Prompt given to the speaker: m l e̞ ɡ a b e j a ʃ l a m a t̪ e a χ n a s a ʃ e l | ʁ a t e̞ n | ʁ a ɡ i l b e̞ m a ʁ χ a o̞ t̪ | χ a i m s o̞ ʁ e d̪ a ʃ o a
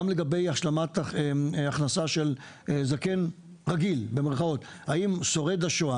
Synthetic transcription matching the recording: m l e̞ ɡ a b e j a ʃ l a m a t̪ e a χ n a s a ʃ e l | z a k e̞ n | ʁ a ɡ i l b e̞ m e ʁ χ a o̞ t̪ | h a i m s o̞ ʁ e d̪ a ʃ o a